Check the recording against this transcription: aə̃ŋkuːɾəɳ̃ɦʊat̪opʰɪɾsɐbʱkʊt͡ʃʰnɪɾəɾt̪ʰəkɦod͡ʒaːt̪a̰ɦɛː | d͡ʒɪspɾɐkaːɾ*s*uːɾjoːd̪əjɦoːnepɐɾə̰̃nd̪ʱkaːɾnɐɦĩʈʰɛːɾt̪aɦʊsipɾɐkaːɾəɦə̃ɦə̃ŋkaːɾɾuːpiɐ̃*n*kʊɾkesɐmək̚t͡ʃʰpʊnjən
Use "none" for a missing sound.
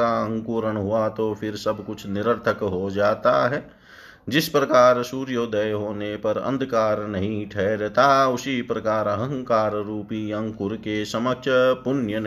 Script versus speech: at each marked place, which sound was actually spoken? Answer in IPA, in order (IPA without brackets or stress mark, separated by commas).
s, ŋ